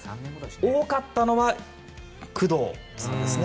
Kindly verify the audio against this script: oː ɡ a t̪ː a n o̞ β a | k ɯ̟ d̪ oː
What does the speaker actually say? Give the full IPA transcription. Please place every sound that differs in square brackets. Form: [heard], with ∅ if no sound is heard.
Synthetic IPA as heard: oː [k] a t̪ː a n o̞ β a | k ɯ̟ d̪ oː